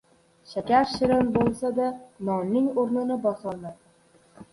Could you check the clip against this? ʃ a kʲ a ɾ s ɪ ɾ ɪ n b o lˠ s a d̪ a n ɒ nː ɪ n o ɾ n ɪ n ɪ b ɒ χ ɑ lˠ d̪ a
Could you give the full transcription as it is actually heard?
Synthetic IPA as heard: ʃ a kʲ a ɾ ʃ ɪ ɾ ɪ n b o lˠ s a d̪ a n ɒ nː ɪ ŋ o ɾ n ɪ n ɪ b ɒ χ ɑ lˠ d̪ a